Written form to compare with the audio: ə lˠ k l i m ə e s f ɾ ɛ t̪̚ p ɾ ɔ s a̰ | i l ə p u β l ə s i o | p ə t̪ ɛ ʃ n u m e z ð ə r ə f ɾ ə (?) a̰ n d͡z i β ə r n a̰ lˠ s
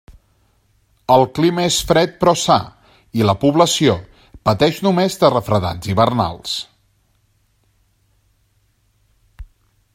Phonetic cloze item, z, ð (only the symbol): ð